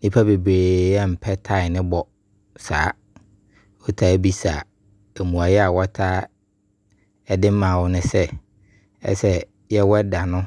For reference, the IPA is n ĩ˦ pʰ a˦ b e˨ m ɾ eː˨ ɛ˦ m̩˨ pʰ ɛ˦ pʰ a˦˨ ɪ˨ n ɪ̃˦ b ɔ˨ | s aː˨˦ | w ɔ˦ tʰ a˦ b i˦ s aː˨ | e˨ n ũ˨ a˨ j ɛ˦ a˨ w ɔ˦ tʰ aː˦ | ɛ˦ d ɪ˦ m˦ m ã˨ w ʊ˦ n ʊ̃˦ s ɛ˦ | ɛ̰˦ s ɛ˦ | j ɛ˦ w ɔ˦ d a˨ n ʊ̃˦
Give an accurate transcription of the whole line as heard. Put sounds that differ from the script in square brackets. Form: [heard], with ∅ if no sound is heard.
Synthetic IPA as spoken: n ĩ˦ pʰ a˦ b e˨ [b] ɾ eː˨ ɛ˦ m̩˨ pʰ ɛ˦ [tʰ] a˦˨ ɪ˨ n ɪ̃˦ b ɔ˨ | s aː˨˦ | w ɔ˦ tʰ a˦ b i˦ s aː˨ | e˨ [m] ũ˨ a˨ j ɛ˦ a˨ w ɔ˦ tʰ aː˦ | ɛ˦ d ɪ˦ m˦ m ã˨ w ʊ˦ n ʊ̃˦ s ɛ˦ | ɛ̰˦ s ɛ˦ | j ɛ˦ w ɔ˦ d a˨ n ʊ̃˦